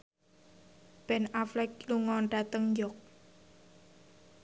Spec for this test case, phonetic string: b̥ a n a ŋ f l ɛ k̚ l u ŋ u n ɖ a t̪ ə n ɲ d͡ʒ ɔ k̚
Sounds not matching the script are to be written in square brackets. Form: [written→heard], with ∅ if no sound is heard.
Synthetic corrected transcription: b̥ [a→ɛ] n a [ŋ→∅] f l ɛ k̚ l u ŋ [u→ɔ] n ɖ a t̪ ə [n→ŋ] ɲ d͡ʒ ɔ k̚